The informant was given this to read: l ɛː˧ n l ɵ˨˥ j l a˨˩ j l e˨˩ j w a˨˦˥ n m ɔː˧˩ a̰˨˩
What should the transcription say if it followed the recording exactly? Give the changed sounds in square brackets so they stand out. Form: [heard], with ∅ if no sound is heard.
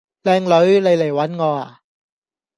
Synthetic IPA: l ɛː˧ [ŋ] l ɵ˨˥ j l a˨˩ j l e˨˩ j w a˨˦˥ n [ŋ] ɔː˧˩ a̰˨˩